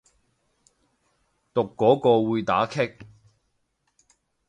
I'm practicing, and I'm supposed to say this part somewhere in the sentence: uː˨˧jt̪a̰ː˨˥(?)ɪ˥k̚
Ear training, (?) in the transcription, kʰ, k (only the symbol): kʰ